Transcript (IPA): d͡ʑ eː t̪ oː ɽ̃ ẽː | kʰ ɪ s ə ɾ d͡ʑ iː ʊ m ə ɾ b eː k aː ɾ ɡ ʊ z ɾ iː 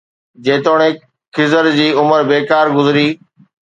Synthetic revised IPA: d͡ʑ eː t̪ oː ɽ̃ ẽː | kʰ ɪ z ə ɾ d͡ʑ iː ʊ m ə ɾ b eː k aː ɾ ɡ ʊ z ɾ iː